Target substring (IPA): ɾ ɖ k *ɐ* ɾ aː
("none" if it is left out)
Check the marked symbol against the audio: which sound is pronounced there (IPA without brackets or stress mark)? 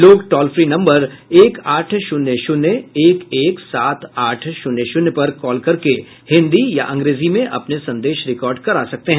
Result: ɐ